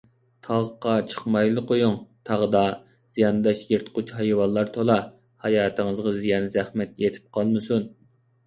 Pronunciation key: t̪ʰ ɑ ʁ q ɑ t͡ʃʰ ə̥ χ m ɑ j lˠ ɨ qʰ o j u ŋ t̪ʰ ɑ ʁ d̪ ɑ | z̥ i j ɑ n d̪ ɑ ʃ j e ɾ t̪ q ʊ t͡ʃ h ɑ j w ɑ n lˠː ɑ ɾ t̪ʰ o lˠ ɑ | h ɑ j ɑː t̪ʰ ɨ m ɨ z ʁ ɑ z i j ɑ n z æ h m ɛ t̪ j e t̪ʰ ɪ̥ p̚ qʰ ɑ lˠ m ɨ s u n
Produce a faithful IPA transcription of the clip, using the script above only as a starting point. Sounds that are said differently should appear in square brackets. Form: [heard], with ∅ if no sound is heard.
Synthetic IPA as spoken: t̪ʰ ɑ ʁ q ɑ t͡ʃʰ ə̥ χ m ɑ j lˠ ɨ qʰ o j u ŋ t̪ʰ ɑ ʁ d̪ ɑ | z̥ i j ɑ n d̪ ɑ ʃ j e ɾ t̪ q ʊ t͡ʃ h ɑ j w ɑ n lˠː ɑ ɾ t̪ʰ o lˠ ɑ | h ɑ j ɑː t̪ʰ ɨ [ŋ] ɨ z ʁ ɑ z i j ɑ n z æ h m ɛ t̪ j e t̪ʰ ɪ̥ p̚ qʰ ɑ lˠ m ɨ s u n